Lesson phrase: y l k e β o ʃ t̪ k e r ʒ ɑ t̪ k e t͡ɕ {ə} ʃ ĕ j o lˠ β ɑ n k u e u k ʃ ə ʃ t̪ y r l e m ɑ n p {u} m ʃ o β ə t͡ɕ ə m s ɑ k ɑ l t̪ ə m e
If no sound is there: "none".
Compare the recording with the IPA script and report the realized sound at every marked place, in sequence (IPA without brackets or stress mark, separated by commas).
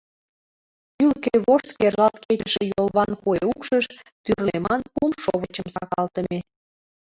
ə, u